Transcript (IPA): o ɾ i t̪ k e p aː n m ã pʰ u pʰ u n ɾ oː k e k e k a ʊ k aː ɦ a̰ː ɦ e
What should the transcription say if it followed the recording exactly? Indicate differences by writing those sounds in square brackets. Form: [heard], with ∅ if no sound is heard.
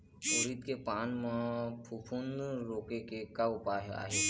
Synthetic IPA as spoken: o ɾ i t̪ k e p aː n m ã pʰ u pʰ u n ɾ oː k e k e k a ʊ [p] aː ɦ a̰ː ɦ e